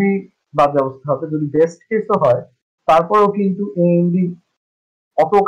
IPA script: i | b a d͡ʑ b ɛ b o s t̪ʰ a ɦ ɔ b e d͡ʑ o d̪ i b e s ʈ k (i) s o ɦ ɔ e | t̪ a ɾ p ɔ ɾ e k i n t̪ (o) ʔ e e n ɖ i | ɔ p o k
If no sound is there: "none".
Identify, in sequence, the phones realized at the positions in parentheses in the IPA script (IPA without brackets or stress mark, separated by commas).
e, u